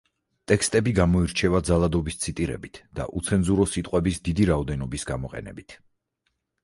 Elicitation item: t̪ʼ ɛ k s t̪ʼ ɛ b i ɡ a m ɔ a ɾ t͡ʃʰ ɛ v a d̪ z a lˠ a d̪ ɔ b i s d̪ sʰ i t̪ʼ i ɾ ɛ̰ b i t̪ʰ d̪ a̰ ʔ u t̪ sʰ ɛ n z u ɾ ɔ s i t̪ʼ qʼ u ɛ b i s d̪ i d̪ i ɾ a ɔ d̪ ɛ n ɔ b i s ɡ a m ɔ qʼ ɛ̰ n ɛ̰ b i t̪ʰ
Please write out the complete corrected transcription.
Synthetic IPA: t̪ʼ ɛ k s t̪ʼ ɛ b i ɡ a m ɔ i ɾ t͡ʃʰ ɛ v a d̪ z a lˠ a d̪ ɔ b i s t̪ sʰ i t̪ʼ i ɾ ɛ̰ b i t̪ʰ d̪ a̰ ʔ u t̪ sʰ ɛ n z u ɾ ɔ s i t̪ʼ qʼ w ɛ b i s d̪ i d̪ i ɾ a ɔ d̪ ɛ n ɔ b i s ɡ a m ɔ qʼ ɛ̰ n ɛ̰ b i t̪ʰ